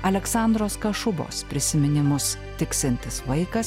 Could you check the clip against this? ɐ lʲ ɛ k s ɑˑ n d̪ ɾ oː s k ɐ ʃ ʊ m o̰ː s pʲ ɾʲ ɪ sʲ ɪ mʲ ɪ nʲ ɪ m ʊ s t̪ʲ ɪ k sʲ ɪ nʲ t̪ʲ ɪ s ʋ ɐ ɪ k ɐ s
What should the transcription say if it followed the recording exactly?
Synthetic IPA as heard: ɐ lʲ ɛ k s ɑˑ n d̪ ɾ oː s k ɐ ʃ ʊ b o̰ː s pʲ ɾʲ ɪ sʲ ɪ mʲ ɪ nʲ ɪ m ʊ s t̪ʲ ɪ k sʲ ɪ nʲ t̪ʲ ɪ s ʋ ɐ ɪ k ɐ s